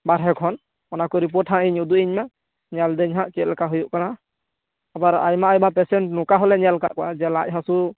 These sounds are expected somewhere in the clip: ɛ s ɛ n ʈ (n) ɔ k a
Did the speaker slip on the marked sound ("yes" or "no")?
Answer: no